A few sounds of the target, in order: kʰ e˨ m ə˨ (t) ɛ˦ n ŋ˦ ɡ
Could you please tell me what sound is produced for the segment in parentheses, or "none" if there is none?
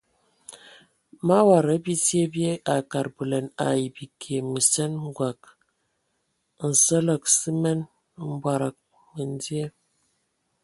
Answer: s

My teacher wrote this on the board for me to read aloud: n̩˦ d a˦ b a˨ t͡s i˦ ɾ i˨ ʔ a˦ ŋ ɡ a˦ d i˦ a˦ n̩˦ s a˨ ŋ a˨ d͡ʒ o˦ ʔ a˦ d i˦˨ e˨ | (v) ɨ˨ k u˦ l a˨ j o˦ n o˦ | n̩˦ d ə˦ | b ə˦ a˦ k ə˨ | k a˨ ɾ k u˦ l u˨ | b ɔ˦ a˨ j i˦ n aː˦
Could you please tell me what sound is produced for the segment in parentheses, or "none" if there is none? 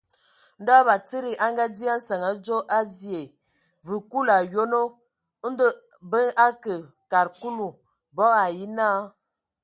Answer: v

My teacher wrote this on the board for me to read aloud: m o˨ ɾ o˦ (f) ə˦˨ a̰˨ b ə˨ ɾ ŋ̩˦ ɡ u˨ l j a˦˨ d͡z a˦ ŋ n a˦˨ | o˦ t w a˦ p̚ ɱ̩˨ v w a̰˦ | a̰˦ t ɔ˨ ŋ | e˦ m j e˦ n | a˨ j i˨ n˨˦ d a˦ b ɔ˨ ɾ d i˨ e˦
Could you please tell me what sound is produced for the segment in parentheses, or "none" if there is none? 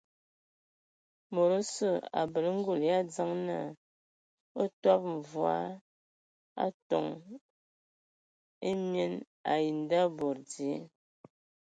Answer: s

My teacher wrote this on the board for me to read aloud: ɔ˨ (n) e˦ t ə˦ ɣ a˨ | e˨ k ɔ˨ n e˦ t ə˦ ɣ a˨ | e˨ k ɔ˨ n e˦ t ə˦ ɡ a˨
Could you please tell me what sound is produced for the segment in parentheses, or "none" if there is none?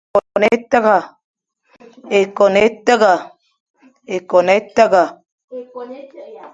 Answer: n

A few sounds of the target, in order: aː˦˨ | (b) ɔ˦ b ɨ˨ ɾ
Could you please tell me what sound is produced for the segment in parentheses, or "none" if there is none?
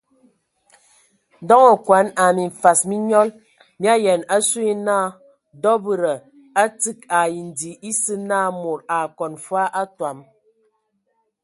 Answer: d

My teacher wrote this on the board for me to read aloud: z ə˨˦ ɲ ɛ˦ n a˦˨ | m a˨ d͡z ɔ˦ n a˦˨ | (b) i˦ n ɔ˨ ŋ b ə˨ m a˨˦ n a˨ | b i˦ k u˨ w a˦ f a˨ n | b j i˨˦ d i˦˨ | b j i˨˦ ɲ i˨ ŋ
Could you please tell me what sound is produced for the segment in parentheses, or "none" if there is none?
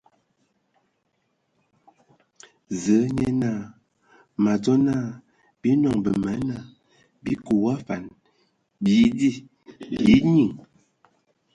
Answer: b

